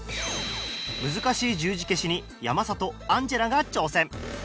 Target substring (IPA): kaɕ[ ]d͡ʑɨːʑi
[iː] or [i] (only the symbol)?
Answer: iː